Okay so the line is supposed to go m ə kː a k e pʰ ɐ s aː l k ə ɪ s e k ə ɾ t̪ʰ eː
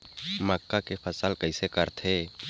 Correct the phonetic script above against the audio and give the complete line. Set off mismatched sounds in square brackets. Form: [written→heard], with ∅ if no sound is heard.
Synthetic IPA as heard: m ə kː a k e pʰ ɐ s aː l k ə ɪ s e k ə ɾ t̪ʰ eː